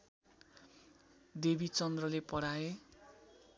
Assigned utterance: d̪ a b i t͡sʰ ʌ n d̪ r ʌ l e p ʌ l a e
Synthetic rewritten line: d̪ e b i t͡s ʌ n d̪ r ʌ l e p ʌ ɽ a e